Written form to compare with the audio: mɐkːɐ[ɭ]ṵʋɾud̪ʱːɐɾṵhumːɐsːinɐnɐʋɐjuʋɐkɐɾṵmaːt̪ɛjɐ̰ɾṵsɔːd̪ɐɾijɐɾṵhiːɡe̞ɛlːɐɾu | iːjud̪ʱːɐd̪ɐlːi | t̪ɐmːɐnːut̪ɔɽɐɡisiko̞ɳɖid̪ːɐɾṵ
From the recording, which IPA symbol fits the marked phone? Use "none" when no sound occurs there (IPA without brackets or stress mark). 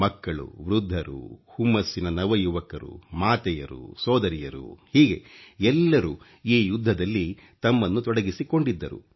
ɭ